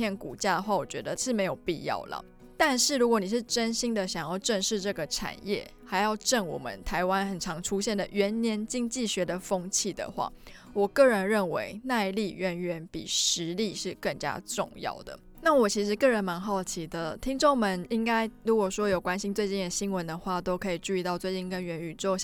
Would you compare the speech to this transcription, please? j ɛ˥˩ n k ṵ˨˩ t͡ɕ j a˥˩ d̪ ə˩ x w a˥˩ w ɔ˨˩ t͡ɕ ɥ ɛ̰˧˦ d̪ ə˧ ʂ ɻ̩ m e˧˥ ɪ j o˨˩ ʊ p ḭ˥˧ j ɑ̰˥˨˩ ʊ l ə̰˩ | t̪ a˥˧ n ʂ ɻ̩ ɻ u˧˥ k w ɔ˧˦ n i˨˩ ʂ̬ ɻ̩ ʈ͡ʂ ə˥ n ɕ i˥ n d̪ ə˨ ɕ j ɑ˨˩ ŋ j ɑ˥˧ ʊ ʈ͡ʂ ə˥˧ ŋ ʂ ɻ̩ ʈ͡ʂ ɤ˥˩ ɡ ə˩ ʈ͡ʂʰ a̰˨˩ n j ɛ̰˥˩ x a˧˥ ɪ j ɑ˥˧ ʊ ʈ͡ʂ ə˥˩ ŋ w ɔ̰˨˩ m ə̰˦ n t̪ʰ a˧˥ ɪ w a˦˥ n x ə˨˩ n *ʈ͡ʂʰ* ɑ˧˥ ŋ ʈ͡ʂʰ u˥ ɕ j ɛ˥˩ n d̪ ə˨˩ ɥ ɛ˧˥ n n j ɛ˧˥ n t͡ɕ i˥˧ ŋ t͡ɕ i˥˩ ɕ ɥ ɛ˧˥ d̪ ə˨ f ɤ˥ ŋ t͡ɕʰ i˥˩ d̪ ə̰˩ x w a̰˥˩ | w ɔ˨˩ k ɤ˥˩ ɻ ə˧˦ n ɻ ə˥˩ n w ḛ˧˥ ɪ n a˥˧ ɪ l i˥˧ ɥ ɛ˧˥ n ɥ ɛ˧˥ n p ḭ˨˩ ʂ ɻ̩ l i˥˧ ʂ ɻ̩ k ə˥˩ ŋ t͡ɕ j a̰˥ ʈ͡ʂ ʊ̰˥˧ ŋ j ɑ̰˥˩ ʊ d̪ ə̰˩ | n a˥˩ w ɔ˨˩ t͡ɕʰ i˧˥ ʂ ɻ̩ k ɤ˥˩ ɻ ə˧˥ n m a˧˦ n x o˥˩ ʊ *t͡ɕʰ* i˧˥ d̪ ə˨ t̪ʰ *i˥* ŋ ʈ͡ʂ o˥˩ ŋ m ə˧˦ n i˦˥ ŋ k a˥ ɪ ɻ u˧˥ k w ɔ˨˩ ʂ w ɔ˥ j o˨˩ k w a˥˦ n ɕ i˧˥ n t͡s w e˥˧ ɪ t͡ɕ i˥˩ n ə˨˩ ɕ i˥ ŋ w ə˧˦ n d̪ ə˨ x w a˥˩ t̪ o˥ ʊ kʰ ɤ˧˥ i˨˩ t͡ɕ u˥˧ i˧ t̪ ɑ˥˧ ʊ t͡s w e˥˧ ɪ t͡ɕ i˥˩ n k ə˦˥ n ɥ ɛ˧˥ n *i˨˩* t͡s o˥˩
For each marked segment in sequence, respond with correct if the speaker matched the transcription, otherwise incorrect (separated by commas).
correct, correct, correct, incorrect